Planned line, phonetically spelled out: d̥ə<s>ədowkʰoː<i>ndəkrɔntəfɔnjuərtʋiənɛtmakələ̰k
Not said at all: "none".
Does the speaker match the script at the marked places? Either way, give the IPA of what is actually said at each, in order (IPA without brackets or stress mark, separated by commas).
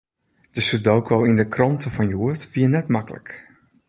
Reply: s, i